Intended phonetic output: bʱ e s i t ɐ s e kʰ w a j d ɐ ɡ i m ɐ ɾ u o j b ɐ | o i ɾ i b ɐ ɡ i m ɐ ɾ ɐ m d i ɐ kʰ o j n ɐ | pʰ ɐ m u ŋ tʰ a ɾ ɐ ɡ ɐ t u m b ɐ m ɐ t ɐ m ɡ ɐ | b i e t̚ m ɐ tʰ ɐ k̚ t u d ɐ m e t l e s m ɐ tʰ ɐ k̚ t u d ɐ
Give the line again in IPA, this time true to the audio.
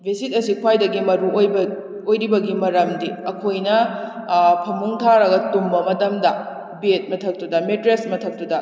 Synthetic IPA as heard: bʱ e s i t ɐ s i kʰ w a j d ɐ ɡ i m ɐ ɾ u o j b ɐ | o j ɾ i b ɐ ɡ i m ɐ ɾ ɐ m d i ɐ kʰ o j n ɐ | pʰ ɐ m u ŋ tʰ a ɾ ɐ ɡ ɐ t u m b ɐ m ɐ t ɐ m d ɐ | b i e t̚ m ɐ tʰ ɐ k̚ t u d ɐ m e t ɾ e s m ɐ tʰ ɐ k̚ t u d ɐ